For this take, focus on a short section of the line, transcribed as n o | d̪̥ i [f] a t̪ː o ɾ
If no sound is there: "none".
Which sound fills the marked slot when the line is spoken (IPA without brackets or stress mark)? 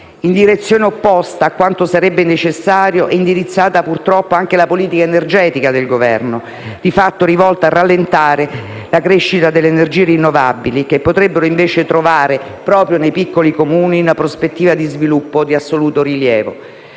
f